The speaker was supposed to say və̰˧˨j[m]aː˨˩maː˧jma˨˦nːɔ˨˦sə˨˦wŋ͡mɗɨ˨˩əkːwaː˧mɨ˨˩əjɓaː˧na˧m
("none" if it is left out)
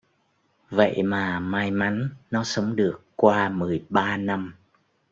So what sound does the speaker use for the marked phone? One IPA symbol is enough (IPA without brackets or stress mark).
m